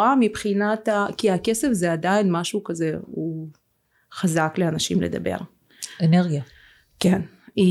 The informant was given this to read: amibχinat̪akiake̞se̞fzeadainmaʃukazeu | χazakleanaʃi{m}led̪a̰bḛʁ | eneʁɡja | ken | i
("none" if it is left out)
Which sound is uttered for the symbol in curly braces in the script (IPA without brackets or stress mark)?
m